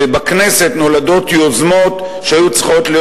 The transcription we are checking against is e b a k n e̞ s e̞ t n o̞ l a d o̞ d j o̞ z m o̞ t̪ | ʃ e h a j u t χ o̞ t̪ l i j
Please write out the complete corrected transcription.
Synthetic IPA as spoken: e b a k n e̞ s e̞ t n o̞ l a d o̞ t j o̞ z m o̞ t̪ | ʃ e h a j u t͡s χ o̞ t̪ l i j